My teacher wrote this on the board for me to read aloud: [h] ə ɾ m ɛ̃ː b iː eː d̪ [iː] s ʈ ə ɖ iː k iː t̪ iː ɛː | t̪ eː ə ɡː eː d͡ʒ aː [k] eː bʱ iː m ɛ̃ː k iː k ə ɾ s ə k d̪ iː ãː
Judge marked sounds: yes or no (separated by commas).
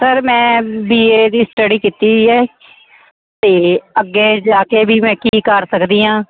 no, yes, yes